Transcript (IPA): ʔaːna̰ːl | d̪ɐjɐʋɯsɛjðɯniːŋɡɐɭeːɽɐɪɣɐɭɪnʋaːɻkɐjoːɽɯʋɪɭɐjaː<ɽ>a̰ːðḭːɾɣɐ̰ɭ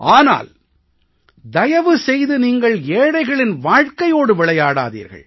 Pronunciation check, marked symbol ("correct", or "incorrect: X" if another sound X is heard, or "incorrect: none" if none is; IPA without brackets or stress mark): correct